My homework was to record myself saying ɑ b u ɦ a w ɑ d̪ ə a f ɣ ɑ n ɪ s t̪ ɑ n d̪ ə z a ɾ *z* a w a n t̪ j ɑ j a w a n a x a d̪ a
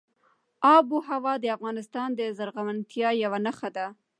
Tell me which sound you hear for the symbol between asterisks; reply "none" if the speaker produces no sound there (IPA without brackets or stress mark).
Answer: ɣ